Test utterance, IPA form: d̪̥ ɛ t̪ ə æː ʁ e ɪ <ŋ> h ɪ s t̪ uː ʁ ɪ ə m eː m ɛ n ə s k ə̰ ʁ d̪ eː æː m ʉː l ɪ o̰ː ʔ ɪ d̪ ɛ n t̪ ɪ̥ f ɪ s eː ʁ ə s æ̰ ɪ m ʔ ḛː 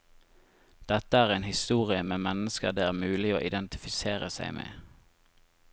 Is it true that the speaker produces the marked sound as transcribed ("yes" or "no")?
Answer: no